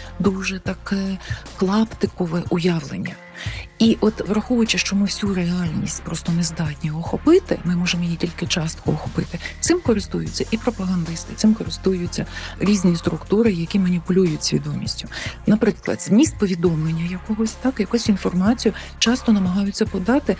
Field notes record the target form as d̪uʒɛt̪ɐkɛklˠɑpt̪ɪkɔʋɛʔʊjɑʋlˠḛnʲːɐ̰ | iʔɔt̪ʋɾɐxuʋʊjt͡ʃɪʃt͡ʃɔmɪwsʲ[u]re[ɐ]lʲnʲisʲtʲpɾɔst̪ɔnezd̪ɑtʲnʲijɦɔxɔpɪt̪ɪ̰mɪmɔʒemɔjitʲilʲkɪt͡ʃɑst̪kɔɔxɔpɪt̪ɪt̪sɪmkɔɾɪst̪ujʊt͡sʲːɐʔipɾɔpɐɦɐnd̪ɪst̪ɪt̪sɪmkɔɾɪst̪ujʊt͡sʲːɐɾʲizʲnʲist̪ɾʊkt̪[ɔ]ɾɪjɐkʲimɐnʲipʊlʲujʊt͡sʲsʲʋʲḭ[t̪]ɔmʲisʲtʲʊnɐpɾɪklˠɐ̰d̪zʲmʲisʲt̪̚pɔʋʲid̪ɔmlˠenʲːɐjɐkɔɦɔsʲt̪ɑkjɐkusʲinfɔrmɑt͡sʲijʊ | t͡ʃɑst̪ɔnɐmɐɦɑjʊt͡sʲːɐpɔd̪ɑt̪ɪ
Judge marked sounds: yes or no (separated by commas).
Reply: yes, no, no, no